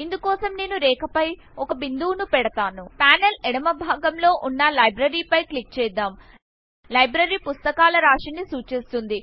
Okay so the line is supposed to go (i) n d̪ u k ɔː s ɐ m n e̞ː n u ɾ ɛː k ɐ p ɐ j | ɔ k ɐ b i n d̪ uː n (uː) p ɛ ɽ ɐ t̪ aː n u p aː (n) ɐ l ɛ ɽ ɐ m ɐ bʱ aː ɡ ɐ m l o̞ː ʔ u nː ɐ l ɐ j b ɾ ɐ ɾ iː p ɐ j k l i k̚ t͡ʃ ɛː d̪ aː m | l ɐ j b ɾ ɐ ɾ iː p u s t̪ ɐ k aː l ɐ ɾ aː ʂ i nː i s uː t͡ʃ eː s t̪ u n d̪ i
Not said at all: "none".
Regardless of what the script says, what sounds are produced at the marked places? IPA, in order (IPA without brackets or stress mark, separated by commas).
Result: i, u, n